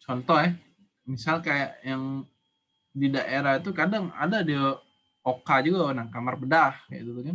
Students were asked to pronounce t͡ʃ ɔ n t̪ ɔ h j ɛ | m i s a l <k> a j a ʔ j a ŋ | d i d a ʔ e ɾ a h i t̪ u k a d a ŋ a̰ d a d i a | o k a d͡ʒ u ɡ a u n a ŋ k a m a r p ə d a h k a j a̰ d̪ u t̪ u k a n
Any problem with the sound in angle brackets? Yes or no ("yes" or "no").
no